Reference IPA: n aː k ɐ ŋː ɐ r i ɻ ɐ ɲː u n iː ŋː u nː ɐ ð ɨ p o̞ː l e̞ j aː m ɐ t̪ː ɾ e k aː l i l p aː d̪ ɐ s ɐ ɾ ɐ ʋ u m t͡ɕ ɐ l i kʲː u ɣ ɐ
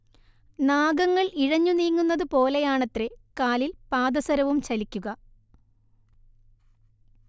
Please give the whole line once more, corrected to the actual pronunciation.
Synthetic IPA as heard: n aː ɡ ɐ ŋː ɐ ɭ i ɻ ɐ ɲː u n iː ŋː u nː ɐ ð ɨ p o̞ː l e̞ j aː ɳ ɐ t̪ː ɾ e k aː l i l p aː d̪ ɐ s ɐ ɾ ɐ ʋ u m t͡ɕ ɐ l i kʲː u ɣ ɐ